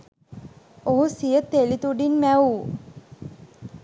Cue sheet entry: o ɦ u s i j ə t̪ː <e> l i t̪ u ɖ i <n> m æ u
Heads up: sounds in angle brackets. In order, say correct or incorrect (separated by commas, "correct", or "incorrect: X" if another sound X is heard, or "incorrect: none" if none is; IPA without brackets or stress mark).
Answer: correct, correct